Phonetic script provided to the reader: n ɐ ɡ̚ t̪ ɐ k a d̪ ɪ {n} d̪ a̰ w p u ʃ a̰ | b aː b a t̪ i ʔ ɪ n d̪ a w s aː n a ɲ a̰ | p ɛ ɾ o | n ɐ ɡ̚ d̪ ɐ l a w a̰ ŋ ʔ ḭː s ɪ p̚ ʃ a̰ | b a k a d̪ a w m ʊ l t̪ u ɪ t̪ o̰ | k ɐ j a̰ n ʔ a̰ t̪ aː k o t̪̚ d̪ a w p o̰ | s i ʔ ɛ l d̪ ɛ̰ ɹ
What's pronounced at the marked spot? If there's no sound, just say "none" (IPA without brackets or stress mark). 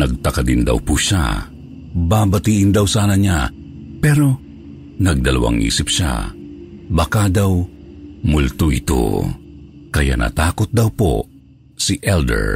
n